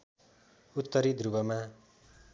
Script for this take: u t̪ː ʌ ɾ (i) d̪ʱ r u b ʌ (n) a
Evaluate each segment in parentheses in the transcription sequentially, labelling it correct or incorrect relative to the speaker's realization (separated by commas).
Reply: correct, incorrect